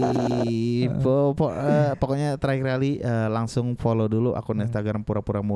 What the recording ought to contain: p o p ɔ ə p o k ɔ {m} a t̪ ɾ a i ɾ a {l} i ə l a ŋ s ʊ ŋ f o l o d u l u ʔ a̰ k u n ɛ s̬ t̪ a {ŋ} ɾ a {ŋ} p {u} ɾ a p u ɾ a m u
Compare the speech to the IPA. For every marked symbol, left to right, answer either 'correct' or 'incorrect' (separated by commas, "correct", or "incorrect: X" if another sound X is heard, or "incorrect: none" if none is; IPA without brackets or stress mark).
incorrect: ɲ, correct, incorrect: ɡ, incorrect: m, correct